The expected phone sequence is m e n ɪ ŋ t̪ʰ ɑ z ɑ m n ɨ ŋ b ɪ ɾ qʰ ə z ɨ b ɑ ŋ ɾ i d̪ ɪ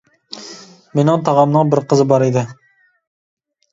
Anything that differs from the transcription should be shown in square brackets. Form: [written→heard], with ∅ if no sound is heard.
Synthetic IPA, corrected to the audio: m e n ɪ ŋ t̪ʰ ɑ [z→ʁ] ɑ m n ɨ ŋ b ɪ ɾ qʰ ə z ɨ b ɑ [ŋ→∅] ɾ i d̪ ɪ